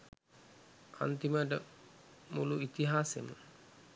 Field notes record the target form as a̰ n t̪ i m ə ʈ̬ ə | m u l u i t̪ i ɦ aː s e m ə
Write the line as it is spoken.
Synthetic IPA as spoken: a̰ n t̪ i m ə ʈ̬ ə | m u l u i t̪ i ɦ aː s e m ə